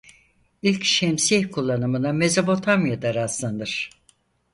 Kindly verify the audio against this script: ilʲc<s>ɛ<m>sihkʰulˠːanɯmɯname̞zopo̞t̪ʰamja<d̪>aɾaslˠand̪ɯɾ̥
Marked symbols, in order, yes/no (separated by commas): no, yes, yes